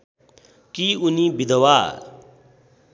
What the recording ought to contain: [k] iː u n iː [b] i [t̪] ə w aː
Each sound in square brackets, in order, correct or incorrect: correct, correct, incorrect: d̪

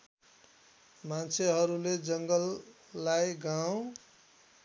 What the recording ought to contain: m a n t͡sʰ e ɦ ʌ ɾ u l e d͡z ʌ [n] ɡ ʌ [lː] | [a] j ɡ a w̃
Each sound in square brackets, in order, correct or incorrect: incorrect: ŋ, correct, correct

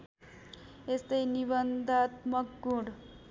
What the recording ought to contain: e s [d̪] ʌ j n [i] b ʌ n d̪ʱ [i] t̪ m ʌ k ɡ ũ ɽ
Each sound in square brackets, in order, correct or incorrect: incorrect: t̪, correct, incorrect: a

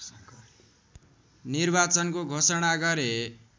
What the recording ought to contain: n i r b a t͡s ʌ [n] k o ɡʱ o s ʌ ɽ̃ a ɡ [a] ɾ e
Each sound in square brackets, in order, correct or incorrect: correct, incorrect: ʌ

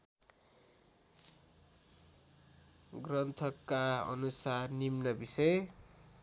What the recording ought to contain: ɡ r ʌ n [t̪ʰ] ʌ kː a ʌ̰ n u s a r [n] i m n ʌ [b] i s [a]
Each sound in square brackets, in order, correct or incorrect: correct, correct, correct, incorrect: ʌ

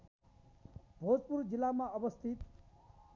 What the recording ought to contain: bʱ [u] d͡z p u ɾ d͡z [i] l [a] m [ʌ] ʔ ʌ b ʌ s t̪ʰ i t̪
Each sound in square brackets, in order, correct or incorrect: incorrect: o, correct, correct, incorrect: a

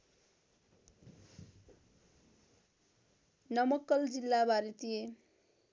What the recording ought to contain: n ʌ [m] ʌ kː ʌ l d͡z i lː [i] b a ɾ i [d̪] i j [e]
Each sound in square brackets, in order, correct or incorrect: correct, incorrect: a, incorrect: t̪, correct

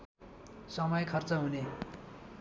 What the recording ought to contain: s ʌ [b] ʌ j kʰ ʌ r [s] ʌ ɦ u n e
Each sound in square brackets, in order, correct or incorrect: incorrect: m, incorrect: t͡s

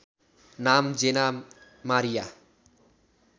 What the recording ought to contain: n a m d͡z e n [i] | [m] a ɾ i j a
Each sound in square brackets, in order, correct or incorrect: incorrect: a, correct

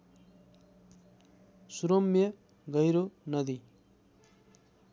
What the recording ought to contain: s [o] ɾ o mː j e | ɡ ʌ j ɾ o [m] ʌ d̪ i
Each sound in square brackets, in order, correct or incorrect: incorrect: u, incorrect: n

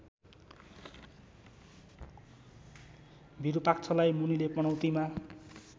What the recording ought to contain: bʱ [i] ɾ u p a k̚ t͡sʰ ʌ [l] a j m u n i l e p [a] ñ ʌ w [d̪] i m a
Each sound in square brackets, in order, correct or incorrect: correct, correct, incorrect: ʌ, incorrect: t̪

